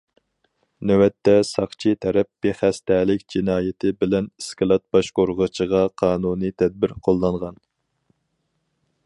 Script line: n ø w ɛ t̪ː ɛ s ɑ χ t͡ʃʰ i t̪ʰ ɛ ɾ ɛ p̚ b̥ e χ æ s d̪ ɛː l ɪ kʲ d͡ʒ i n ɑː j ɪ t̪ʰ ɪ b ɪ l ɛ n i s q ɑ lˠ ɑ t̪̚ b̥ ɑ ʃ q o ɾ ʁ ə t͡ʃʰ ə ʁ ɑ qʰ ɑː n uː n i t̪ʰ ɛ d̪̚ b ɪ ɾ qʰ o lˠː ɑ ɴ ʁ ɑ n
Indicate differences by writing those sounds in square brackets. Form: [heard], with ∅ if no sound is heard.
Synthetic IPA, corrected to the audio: n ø w ɛ t̪ː ɛ s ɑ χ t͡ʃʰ i t̪ʰ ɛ ɾ ɛ p̚ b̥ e χ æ s [t̪] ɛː l ɪ kʲ d͡ʒ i n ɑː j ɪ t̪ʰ ɪ b ɪ l ɛ n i s [k] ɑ lˠ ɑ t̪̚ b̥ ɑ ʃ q o ɾ ʁ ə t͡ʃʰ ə ʁ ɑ qʰ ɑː n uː n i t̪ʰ ɛ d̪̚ b ɪ ɾ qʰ o lˠː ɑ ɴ ʁ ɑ n

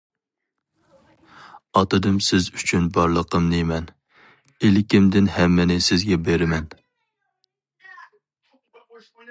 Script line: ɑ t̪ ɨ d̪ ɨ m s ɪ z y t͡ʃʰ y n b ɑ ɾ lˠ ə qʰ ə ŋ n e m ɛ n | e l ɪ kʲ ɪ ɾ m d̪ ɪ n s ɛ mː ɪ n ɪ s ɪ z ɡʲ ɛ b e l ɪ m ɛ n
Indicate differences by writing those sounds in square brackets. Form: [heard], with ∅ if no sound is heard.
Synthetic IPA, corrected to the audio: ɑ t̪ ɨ d̪ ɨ m s ɪ z y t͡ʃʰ y n b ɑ ɾ lˠ ə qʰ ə [m] n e m ɛ n | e l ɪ kʲ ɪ [∅] m d̪ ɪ n [h] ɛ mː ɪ n ɪ s ɪ z ɡʲ ɛ b e [ɾ] ɪ m ɛ n

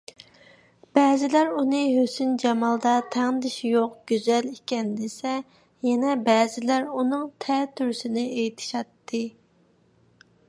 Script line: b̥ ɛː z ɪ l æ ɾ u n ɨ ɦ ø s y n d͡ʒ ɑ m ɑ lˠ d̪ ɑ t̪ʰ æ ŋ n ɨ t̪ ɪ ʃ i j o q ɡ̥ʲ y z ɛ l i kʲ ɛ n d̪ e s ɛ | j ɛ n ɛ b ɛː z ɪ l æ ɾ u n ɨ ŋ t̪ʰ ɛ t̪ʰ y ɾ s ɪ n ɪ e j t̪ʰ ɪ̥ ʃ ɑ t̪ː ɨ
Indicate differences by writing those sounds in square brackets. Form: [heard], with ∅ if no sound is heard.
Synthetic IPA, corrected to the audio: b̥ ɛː z ɪ l æ ɾ u n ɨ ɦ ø s y n d͡ʒ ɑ m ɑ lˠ d̪ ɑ t̪ʰ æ ŋ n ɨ [d̪] ɪ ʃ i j o q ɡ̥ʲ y z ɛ l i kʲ ɛ n d̪ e s ɛ | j ɛ n ɛ b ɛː z ɪ l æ ɾ u n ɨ ŋ t̪ʰ ɛ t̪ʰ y ɾ s ɪ n ɪ e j t̪ʰ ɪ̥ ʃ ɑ t̪ː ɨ

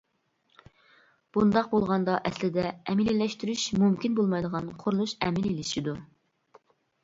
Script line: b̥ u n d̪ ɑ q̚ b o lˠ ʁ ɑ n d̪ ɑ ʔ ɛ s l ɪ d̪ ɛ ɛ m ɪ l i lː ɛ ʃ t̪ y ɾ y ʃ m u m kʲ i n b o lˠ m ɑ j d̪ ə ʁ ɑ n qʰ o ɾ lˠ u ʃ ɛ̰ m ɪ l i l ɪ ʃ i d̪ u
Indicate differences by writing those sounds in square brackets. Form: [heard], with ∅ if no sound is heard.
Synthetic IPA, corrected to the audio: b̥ u n d̪ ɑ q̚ b o lˠ ʁ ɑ n d̪ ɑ ʔ ɛ s l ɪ d̪ ɛ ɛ m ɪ l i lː ɛ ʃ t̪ y ɾ y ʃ m u m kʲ i n b o lˠ m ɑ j d̪ ə ʁ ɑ n qʰ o ɾ lˠ u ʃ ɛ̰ m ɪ l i l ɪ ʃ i d̪ u

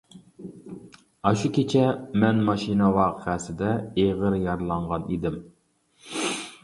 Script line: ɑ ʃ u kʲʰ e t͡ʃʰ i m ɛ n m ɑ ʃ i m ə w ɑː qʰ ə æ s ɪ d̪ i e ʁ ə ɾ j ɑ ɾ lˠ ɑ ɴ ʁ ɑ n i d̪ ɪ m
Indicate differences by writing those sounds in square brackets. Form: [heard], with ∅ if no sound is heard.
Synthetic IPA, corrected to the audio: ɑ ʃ u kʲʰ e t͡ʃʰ [ɛ] m ɛ n m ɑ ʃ i [n] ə w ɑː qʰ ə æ s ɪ d̪ [ɛ] e ʁ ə ɾ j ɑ ɾ lˠ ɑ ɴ ʁ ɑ n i d̪ ɪ m

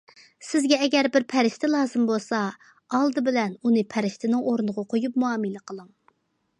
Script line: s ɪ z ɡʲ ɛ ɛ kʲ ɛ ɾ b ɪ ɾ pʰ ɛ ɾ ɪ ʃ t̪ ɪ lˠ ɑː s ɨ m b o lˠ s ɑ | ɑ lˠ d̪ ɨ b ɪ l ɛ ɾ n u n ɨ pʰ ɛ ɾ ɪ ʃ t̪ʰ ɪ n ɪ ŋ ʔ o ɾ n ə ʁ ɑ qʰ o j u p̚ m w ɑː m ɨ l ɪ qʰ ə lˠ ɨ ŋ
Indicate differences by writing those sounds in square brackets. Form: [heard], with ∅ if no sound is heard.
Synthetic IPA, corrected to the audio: s ɪ z ɡʲ ɛ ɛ [ɡʲ] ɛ ɾ b ɪ ɾ pʰ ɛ ɾ ɪ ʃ t̪ ɪ lˠ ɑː [z] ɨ m b o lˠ s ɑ | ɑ lˠ d̪ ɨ b ɪ l ɛ [∅] n u n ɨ pʰ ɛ ɾ ɪ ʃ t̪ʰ ɪ n ɪ ŋ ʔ o ɾ n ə ʁ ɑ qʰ o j u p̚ m [u] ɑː m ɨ l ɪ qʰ ə lˠ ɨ ŋ

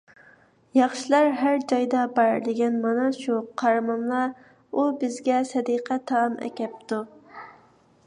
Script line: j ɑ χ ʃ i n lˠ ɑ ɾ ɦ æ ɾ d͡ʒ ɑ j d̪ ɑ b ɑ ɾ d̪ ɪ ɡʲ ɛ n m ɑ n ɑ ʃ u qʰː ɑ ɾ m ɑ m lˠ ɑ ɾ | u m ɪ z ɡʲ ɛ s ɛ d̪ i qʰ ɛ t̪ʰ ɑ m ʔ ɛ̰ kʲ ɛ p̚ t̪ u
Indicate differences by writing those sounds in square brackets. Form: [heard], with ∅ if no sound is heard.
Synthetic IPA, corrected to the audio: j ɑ χ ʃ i [∅] lˠ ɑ ɾ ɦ æ ɾ d͡ʒ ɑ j d̪ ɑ b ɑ ɾ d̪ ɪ ɡʲ ɛ n m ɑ n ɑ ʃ u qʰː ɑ ɾ m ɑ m lˠ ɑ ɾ | u [b] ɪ z ɡʲ ɛ s ɛ d̪ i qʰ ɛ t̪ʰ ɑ m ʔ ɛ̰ kʲ ɛ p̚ t̪ u

